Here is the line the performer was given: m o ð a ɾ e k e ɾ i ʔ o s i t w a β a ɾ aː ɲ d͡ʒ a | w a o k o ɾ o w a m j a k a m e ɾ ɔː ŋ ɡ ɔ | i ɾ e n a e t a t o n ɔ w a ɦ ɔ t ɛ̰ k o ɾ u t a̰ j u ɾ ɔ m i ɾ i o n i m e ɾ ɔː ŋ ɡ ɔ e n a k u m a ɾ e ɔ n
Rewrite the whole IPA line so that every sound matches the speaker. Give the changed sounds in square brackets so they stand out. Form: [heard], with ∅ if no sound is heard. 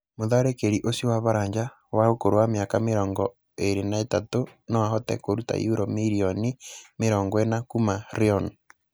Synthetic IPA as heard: m o ð a ɾ e k e ɾ i ʔ o s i [∅] w a β a ɾ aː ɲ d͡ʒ a | w a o k o ɾ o w a m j a k a m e ɾ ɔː ŋ ɡ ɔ | [e] ɾ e n a e t a t o n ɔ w a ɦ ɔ t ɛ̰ k o ɾ u t a̰ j u ɾ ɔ m i ɾ i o n i m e ɾ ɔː ŋ ɡ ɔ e n a k u m a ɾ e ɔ n